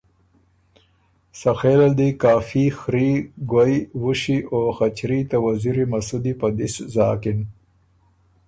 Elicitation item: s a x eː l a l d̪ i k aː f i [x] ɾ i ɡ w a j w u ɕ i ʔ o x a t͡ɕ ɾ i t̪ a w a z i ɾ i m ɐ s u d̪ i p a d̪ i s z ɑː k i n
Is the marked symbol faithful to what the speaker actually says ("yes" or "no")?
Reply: yes